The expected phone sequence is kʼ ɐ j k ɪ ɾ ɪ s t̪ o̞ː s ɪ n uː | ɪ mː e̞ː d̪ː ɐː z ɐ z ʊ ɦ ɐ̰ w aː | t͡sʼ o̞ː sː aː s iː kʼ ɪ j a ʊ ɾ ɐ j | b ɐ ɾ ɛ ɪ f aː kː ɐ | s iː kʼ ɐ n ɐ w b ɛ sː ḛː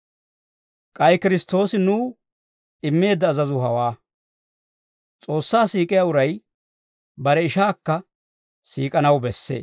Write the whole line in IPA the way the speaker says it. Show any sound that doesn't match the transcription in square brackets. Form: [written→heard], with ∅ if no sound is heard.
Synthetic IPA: kʼ ɐ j k ɪ ɾ ɪ s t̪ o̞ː s ɪ n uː | ɪ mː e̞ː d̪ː ɐː z ɐ z ʊ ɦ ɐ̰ w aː | t͡sʼ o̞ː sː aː s iː kʼ ɪ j a ʊ ɾ ɐ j | b ɐ ɾ ɛ ɪ [f→ʃ] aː kː ɐ | s iː kʼ ɐ n ɐ w b ɛ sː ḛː